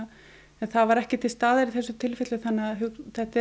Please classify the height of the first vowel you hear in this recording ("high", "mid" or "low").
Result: mid